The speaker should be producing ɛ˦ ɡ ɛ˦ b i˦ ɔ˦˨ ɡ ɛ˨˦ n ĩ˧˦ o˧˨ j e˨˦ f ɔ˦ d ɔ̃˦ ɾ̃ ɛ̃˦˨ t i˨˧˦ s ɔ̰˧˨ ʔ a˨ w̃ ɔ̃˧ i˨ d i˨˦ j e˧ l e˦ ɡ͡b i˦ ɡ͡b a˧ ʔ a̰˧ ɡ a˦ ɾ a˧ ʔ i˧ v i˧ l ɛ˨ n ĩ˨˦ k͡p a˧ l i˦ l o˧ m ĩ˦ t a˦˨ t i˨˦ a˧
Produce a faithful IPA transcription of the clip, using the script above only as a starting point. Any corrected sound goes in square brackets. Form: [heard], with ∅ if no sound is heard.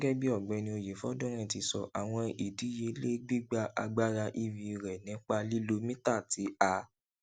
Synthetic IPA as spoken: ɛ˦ ɡ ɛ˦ b i˦ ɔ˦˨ [ɡ͡b] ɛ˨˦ n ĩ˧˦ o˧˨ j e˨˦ f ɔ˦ d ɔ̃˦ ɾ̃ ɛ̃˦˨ t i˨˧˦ s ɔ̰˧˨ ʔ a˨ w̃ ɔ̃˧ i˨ d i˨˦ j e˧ l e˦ ɡ͡b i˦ ɡ͡b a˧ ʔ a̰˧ [ɡ͡b] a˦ ɾ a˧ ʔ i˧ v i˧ [ɾ] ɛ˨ n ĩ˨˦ k͡p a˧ l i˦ l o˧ m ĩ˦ t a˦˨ t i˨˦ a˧